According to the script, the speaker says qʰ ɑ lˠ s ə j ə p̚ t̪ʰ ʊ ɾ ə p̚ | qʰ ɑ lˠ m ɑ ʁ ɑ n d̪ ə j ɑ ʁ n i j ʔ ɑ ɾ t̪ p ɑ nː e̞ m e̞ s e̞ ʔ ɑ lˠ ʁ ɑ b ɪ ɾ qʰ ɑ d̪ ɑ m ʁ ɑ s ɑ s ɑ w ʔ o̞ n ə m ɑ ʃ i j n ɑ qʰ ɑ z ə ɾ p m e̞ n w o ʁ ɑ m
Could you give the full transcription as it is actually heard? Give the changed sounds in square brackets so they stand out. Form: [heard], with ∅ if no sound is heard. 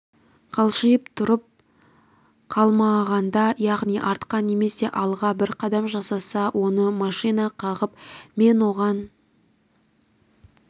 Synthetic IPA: qʰ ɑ lˠ [ʃ] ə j ə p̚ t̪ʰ ʊ ɾ ə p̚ | qʰ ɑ lˠ m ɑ ʁ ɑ n d̪ [ɑ] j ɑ ʁ n i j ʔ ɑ ɾ t̪ [q] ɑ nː e̞ m e̞ s e̞ ʔ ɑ lˠ ʁ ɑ b ɪ ɾ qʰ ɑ d̪ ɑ m [ʒ] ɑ s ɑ s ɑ w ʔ o̞ n ə m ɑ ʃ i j n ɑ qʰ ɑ [ʁ] ə [∅] p m e̞ n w o ʁ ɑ [n]